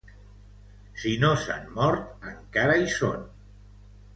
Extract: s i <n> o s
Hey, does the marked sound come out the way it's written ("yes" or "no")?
yes